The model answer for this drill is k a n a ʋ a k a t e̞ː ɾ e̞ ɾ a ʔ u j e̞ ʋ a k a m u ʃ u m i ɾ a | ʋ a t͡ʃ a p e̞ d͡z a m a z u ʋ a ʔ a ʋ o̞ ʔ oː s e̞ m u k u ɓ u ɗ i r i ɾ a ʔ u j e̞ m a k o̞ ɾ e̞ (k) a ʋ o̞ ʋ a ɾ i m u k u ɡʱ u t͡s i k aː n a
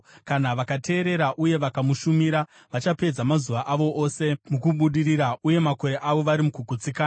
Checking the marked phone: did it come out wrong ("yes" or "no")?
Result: yes